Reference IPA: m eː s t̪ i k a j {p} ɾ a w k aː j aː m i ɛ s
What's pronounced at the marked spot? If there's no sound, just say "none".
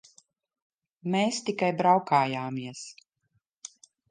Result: b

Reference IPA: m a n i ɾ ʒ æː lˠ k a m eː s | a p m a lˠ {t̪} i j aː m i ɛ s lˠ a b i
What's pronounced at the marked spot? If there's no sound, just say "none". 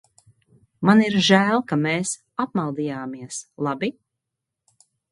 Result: d̪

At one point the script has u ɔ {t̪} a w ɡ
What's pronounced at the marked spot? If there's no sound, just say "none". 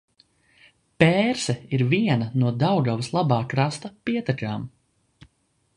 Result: d̪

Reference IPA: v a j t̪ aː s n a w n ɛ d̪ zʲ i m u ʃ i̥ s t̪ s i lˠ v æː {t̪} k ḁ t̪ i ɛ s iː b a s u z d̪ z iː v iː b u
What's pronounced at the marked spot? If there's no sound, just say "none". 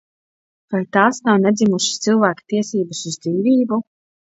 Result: none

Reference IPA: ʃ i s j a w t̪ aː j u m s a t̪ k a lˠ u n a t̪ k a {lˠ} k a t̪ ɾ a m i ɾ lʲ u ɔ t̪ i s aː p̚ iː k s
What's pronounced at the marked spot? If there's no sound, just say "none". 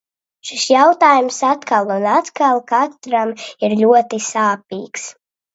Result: lˠ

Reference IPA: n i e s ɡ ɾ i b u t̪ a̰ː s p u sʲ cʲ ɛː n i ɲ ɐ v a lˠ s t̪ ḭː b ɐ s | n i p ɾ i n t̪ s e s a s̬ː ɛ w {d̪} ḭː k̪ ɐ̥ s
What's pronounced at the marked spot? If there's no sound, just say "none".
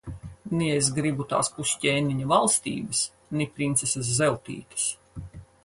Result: t̪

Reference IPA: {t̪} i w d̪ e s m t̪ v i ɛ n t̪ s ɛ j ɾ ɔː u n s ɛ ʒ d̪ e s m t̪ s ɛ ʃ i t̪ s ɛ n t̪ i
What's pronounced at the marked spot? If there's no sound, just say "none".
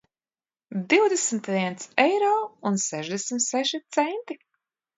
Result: d̪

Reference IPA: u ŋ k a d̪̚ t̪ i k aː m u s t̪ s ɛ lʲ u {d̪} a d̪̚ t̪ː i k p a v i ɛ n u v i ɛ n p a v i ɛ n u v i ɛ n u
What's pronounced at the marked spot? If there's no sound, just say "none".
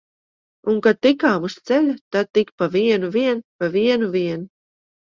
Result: t̪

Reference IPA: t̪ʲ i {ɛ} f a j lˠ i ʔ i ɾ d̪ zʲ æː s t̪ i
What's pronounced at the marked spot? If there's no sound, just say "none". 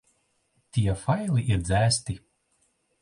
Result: ɛ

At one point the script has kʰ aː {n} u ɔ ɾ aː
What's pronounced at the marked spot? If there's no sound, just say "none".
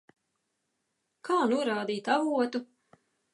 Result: n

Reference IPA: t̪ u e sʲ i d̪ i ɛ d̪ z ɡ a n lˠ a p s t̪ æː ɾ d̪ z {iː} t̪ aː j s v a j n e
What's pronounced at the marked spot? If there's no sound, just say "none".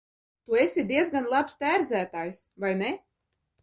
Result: æː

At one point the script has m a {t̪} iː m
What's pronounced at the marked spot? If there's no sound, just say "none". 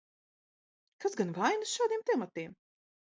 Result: t̪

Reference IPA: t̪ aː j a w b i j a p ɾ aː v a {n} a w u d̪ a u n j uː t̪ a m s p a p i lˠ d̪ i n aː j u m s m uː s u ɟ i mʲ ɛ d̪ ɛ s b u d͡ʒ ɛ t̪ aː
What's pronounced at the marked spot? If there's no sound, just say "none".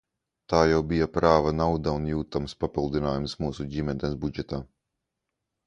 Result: n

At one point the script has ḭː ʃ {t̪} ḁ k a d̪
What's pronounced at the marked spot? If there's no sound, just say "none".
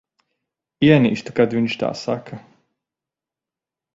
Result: t̪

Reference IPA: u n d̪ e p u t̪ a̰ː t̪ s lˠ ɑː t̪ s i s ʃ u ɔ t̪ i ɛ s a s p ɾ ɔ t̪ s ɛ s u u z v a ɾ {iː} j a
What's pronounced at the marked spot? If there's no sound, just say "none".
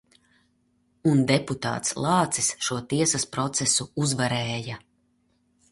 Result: ɛː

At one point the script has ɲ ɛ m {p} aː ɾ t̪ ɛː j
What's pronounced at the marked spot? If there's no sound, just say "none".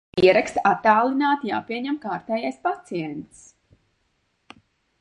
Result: k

